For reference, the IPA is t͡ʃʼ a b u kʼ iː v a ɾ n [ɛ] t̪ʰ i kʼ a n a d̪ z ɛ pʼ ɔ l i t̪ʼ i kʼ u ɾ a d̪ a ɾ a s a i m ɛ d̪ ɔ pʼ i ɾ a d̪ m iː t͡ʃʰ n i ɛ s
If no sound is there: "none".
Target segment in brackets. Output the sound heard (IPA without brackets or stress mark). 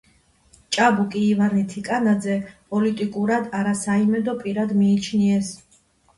i